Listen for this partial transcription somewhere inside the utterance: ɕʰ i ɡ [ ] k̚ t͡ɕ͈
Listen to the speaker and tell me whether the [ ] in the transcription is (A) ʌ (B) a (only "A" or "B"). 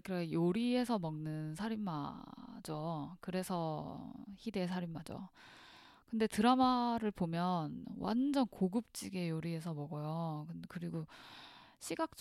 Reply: B